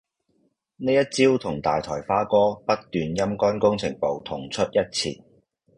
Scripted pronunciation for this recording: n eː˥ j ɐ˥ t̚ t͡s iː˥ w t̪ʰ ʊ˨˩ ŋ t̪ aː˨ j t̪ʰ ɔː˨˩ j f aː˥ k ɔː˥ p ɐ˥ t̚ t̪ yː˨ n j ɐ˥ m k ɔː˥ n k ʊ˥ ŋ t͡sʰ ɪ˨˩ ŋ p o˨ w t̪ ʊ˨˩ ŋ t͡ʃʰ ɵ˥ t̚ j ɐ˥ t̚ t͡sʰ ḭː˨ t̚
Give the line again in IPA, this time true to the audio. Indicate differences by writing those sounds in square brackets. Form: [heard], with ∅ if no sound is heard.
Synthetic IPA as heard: n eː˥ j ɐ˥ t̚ t͡s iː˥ w t̪ʰ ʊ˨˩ ŋ t̪ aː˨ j t̪ʰ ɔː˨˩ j f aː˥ k ɔː˥ p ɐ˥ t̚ t̪ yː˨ n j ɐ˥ m k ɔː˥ n k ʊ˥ ŋ t͡sʰ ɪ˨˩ ŋ p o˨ w [t̪ʰ] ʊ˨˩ ŋ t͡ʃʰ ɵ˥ t̚ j ɐ˥ t̚ t͡sʰ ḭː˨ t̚